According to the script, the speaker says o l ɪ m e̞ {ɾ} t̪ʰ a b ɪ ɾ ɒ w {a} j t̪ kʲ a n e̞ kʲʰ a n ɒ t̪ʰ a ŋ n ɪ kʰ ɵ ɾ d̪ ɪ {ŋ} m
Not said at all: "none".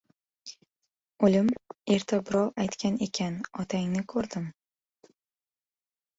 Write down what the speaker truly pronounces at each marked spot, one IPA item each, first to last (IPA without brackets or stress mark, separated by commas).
ɾ, a, none